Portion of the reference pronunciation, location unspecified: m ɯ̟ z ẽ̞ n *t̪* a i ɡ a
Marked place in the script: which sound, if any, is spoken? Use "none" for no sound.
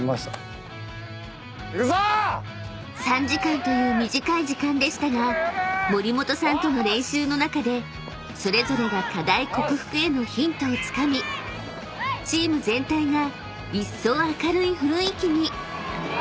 t̪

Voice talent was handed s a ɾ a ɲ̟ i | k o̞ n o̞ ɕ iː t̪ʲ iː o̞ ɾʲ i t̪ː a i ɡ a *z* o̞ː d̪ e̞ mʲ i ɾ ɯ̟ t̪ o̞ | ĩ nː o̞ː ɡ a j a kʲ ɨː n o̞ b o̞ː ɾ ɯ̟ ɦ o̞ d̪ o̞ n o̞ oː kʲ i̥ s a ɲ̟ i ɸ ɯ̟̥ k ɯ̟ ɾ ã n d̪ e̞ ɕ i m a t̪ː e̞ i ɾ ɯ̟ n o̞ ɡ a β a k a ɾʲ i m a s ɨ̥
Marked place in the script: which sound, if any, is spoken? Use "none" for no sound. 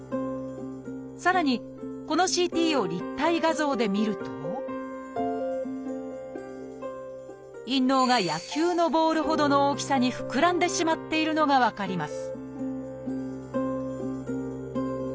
z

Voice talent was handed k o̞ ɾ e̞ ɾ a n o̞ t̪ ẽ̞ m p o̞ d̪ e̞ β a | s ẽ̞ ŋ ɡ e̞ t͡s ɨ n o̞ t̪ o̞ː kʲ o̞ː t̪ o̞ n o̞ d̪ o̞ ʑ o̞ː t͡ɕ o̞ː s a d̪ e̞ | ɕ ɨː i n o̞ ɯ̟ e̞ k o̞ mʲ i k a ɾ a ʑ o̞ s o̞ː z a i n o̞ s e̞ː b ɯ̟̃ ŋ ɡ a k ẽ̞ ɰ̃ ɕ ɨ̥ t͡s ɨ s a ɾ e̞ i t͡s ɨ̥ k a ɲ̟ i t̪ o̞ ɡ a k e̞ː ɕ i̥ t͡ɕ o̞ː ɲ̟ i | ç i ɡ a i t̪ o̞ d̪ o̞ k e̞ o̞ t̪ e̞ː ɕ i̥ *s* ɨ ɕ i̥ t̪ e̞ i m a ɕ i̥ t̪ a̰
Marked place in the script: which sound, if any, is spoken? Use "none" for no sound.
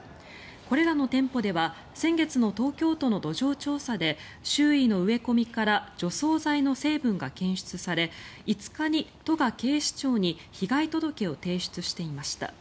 t͡s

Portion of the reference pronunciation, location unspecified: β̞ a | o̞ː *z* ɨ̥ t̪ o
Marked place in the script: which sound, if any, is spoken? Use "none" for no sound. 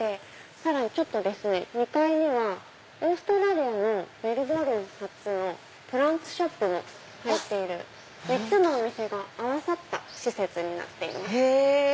s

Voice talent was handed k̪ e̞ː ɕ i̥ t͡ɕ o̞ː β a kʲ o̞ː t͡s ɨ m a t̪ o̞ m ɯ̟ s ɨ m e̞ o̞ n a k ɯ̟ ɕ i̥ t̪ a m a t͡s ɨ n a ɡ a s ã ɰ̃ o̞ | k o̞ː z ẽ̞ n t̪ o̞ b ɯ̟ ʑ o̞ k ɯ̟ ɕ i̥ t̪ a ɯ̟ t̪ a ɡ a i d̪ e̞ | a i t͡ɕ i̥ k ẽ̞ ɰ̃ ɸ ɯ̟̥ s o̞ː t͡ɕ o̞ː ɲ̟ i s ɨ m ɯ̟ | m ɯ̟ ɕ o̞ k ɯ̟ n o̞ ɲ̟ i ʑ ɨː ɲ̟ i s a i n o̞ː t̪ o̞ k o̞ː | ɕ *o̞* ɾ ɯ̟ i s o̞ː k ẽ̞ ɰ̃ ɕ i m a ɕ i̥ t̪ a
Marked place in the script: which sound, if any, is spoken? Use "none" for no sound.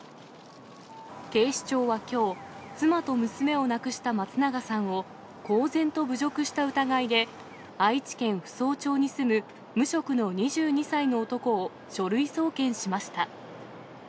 o̞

